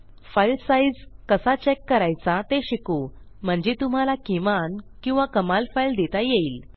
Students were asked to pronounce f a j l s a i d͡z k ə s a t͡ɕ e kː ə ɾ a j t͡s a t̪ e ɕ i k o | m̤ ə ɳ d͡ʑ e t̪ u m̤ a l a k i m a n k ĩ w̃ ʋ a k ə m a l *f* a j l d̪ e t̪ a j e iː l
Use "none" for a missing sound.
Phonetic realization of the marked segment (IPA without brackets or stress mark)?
f